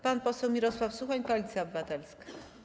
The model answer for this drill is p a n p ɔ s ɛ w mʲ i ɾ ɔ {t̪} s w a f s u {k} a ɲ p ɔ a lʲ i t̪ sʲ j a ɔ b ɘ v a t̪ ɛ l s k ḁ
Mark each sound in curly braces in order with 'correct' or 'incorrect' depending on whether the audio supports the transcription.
incorrect: none, incorrect: x

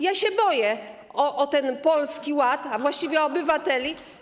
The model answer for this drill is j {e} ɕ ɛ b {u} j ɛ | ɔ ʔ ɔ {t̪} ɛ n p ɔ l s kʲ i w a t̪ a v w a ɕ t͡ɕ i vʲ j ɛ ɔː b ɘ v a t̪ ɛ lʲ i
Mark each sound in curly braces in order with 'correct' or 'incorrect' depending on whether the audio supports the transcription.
incorrect: a, incorrect: ɔ, correct

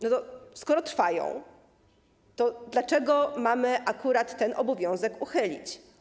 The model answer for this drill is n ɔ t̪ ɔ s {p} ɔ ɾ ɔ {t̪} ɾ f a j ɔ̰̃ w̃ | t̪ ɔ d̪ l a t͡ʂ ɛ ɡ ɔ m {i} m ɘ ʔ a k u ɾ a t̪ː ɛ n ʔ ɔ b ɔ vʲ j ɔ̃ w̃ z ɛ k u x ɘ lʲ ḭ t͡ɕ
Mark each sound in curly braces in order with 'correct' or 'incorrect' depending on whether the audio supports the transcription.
incorrect: k, correct, incorrect: a

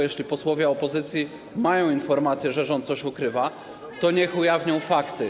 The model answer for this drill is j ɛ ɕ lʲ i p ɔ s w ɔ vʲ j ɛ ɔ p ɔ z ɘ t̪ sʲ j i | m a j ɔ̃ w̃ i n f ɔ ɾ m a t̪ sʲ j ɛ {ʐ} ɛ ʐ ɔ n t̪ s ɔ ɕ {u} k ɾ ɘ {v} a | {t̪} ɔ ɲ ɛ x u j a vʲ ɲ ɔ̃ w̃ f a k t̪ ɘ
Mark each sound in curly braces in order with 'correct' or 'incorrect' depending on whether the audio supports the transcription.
correct, correct, correct, correct

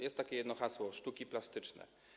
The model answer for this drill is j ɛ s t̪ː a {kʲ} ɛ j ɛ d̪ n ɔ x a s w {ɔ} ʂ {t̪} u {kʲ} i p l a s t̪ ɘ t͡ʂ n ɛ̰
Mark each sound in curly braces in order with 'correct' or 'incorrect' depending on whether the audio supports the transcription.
correct, correct, correct, correct

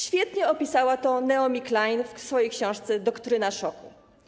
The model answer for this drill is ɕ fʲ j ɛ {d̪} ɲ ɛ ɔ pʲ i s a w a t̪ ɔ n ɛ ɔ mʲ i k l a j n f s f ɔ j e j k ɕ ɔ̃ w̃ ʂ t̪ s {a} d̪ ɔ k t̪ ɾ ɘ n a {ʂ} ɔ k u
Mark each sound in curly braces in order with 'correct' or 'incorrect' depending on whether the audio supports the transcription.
incorrect: t̪, incorrect: ɛ, correct

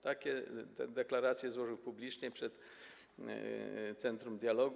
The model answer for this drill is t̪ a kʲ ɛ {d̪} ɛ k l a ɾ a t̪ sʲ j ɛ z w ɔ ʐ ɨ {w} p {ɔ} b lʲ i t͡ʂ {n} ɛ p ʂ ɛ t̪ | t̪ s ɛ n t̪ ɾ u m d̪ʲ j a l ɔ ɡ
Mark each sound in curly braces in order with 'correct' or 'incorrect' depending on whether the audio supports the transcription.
correct, correct, incorrect: u, incorrect: ɲ

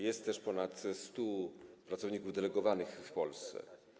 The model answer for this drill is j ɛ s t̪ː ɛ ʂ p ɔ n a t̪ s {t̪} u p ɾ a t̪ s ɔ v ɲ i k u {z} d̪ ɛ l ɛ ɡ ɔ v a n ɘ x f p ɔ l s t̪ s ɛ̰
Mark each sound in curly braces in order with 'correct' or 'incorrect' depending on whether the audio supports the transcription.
correct, incorrect: v

